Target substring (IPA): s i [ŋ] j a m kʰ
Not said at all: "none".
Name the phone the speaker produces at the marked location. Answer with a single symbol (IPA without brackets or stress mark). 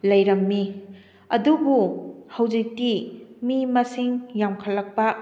ŋ